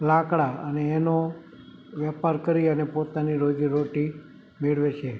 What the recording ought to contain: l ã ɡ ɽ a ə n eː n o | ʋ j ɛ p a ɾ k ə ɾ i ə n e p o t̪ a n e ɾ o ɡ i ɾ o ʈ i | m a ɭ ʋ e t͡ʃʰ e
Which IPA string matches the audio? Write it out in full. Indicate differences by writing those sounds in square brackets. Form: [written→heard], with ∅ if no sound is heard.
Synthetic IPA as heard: l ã [ɡ→k] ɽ a ə n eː n o | ʋ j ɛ p a ɾ k ə ɾ i ə n e p o t̪ a n [e→i] ɾ o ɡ i ɾ o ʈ i | m [a→e] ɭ ʋ e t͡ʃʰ e